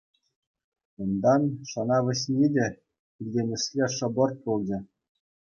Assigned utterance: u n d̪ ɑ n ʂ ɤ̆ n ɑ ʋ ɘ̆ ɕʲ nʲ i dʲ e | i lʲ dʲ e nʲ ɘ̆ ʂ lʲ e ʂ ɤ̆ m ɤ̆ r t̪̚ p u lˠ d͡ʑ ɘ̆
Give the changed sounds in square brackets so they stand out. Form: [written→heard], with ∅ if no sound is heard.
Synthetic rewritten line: u n d̪ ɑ n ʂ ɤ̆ n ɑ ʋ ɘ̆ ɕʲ nʲ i dʲ e | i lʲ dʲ e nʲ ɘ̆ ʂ lʲ e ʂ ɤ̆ [m→b] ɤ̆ r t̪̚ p u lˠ d͡ʑ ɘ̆